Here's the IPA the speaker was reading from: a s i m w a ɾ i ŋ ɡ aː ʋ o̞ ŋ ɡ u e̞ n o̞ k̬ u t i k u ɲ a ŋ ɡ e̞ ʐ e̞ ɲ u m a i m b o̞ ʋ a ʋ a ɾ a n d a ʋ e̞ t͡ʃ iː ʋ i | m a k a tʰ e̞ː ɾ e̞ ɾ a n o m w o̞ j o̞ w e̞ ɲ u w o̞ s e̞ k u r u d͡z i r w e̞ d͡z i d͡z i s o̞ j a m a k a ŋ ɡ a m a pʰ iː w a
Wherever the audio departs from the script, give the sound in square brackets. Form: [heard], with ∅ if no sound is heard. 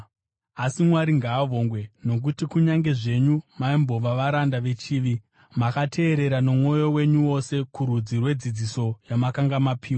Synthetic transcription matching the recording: a s i m w a ɾ i ŋ ɡ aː ʋ o̞ ŋ ɡ [w] e̞ n o̞ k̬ u t i k u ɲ a ŋ ɡ e̞ ʐ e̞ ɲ u m a i m b o̞ ʋ a ʋ a ɾ a n d a ʋ e̞ t͡ʃ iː ʋ i | m a k a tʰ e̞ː ɾ e̞ ɾ a n o m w o̞ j o̞ w e̞ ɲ u w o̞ s e̞ k u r u d͡z i r w e̞ d͡z i d͡z i s o̞ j a m a k a ŋ ɡ a m a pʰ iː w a